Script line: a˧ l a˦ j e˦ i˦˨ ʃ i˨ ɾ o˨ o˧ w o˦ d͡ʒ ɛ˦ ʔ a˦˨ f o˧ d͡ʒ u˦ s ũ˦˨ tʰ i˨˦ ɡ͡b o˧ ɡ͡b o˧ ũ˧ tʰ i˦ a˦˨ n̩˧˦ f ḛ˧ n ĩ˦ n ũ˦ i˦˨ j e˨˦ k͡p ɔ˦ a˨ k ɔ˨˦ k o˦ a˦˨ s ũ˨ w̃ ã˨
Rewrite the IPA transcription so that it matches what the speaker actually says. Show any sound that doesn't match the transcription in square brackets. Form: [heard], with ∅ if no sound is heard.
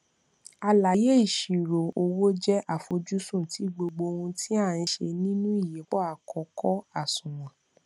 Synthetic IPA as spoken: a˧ l [a˨] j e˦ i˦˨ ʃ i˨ ɾ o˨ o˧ w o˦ d͡ʒ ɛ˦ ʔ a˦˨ f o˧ d͡ʒ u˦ s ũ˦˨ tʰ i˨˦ ɡ͡b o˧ ɡ͡b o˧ ũ˧ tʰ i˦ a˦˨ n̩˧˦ [ʃ] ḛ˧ n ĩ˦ n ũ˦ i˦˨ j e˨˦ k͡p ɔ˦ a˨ k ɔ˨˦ k [ɔ˦] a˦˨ s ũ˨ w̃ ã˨